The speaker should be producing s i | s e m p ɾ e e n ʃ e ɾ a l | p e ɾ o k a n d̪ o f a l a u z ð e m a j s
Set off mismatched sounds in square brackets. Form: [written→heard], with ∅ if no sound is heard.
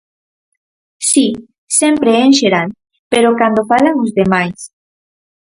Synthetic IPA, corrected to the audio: s i | s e m p ɾ e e n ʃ e ɾ a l | p e ɾ o k a n d̪ o f a l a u z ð e m a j s